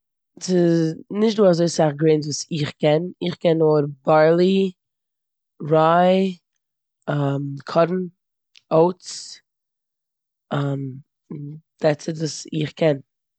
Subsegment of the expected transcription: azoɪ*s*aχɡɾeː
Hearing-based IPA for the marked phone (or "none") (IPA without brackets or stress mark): s